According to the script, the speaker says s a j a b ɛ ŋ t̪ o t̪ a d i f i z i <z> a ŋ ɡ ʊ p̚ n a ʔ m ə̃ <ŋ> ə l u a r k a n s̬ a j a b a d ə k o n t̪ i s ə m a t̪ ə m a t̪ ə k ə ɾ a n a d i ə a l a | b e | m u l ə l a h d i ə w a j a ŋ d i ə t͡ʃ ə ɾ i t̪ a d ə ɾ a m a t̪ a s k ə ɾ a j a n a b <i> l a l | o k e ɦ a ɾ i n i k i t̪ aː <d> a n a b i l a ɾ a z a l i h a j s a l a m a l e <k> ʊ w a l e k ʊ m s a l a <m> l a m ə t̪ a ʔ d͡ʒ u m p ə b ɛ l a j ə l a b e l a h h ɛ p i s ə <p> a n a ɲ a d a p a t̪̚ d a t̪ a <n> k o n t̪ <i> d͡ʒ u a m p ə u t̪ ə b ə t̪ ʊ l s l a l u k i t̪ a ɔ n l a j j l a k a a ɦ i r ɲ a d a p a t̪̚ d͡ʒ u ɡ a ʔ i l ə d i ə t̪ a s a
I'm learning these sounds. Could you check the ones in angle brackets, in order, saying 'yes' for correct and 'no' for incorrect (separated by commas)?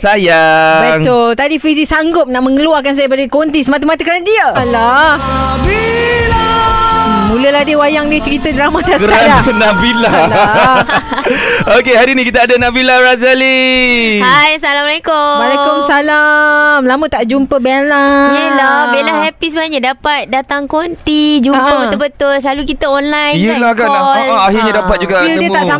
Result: no, yes, yes, yes, yes, yes, no, no, yes